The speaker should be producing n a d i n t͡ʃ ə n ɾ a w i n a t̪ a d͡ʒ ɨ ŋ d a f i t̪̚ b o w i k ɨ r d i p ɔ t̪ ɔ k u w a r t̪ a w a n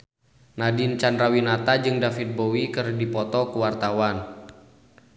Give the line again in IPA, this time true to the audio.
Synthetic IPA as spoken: n a d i n t͡ʃ a n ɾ a w i n a t̪ a d͡ʒ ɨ ŋ d a f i t̪̚ b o w i k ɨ r d i p ɔ t̪ ɔ k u w a r t̪ a w a n